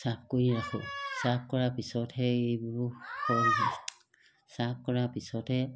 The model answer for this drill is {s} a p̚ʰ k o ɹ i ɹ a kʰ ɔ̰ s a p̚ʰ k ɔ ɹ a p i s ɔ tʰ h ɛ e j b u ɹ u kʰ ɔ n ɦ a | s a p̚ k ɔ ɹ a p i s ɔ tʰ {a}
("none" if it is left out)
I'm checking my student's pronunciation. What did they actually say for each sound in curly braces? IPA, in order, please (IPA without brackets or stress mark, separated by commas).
s, ɛ